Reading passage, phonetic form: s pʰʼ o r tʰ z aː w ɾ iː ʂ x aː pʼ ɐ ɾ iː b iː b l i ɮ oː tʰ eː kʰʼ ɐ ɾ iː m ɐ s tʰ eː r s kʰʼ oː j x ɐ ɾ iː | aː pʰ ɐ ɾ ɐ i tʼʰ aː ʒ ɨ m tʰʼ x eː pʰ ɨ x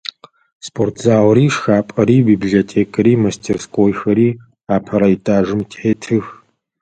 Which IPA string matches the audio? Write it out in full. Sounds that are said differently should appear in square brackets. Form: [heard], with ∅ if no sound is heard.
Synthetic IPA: s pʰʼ o r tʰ z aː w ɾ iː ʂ x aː pʼ ɐ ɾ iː b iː b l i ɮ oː tʰ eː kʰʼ ɐ ɾ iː m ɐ s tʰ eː r s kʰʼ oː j x ɐ ɾ iː | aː pʰ ɐ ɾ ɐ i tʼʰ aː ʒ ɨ m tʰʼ [ħ] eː [tʰ] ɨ x